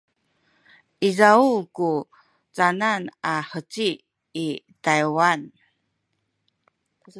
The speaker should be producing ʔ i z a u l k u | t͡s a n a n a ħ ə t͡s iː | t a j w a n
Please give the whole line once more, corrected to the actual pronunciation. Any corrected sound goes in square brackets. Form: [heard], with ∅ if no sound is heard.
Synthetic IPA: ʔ i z a u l k u | t͡s a n a n a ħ ə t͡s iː | t a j w a n